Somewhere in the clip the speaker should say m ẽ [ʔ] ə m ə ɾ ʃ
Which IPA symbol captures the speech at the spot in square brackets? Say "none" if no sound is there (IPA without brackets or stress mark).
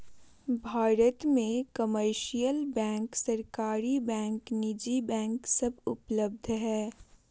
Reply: k